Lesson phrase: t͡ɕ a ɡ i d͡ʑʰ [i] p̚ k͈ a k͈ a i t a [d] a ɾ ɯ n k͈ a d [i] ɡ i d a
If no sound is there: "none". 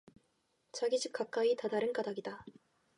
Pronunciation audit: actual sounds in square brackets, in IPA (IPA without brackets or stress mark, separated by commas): i, d, a